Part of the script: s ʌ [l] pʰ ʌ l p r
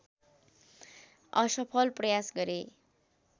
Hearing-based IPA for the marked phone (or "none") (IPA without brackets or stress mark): none